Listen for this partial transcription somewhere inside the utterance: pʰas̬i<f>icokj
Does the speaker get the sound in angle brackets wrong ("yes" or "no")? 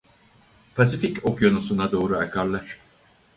no